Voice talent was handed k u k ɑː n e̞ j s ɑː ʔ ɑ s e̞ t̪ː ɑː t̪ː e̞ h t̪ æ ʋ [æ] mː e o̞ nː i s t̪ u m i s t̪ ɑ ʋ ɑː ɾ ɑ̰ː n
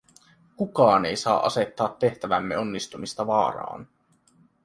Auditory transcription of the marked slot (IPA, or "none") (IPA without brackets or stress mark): æ